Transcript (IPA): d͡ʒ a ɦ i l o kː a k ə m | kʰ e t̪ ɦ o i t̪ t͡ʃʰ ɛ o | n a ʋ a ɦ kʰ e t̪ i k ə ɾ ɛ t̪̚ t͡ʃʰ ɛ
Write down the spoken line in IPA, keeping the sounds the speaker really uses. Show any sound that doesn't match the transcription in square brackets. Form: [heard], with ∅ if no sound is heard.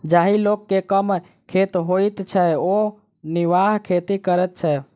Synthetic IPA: d͡ʒ a ɦ i l o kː [e] k ə m | kʰ e t̪ ɦ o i t̪ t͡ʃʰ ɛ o | n [i] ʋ a ɦ kʰ e t̪ i k ə ɾ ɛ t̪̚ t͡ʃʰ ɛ